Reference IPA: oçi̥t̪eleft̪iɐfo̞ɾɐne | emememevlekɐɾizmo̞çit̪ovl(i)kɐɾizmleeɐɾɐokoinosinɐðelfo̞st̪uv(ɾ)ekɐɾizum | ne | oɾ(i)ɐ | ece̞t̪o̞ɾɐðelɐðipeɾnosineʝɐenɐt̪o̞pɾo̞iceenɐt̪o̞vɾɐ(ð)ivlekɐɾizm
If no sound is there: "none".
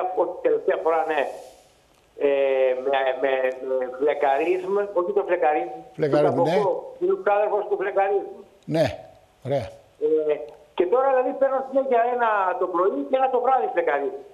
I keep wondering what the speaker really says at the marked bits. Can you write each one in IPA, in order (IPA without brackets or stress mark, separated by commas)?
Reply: e, l, e, ð